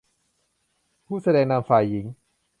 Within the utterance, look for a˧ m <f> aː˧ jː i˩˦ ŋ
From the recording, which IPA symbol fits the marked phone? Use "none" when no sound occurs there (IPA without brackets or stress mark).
f